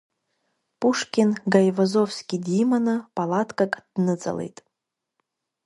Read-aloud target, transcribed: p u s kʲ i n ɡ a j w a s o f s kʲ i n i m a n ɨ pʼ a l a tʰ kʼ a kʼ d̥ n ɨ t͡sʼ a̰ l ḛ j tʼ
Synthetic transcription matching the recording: p u ʂ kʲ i n ɡ a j v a z o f s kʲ i d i m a n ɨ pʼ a l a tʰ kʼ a kʼ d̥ n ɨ t͡sʼ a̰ l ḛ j tʼ